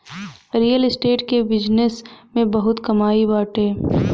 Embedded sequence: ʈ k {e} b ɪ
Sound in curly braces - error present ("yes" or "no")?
no